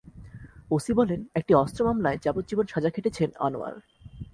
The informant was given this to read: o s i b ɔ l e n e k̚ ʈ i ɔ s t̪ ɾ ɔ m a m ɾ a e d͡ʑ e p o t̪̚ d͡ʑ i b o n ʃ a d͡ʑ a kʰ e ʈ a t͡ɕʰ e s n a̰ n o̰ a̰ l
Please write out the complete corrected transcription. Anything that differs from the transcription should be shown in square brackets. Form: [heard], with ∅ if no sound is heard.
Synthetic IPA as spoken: o s i b ɔ l e n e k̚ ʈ i ɔ s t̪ ɾ [o] m a m [l] a e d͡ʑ [a] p o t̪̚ d͡ʑ i b o n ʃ a d͡ʑ a kʰ e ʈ [e] t͡ɕʰ e [∅] n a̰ n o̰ a̰ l